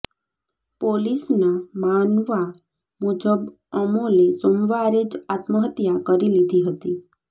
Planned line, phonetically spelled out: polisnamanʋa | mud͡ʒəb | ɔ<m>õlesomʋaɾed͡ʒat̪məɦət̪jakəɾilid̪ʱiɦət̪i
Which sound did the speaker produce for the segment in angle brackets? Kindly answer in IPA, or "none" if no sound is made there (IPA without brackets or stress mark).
m